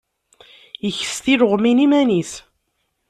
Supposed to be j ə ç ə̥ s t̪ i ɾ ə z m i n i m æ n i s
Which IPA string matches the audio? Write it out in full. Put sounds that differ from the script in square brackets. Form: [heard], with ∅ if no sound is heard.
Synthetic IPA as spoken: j ə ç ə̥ s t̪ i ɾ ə [ʁ] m i n i m æ n i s